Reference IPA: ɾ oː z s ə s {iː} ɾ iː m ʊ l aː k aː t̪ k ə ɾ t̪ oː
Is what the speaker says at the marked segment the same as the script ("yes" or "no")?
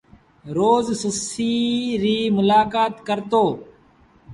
yes